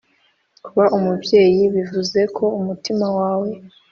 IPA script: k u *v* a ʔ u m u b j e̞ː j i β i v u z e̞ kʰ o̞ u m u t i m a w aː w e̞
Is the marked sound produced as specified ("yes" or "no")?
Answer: no